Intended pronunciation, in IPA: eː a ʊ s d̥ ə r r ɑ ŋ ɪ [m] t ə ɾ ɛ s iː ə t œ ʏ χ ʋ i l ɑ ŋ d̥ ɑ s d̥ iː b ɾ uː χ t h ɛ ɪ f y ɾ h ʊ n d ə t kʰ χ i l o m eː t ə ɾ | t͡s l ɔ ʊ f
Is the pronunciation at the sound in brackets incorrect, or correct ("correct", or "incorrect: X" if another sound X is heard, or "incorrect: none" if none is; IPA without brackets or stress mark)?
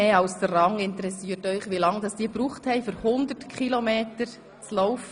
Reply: incorrect: n